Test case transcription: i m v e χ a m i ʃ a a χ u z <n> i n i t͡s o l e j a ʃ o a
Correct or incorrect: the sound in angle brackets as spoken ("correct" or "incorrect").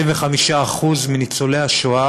incorrect